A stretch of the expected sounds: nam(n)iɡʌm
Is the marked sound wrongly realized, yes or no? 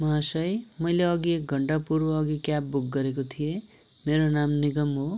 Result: no